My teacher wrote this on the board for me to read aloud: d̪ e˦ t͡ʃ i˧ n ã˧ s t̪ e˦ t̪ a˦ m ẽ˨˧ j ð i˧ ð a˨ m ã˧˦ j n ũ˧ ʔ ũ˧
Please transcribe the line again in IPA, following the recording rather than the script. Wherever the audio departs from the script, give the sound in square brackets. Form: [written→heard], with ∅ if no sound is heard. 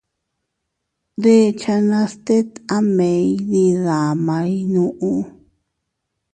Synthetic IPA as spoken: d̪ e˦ t͡ʃ [i˧→a˧] n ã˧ s t̪ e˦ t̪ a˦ m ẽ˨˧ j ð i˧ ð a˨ m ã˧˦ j n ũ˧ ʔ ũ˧